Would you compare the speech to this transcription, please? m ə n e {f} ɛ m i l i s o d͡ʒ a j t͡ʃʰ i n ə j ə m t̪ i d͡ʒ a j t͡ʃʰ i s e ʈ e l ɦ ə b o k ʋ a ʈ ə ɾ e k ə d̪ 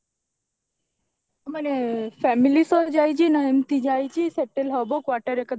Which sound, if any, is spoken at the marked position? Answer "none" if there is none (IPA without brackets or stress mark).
f